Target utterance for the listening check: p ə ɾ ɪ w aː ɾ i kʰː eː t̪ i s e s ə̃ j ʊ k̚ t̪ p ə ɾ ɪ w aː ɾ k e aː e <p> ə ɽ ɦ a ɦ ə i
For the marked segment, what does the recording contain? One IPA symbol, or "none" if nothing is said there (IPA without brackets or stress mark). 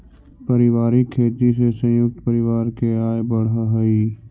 b